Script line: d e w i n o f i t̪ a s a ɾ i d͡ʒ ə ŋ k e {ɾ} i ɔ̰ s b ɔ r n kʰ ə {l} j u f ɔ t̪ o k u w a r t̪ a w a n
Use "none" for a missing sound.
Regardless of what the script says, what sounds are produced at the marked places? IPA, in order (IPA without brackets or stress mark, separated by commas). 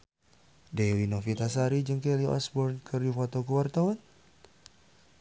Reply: l, r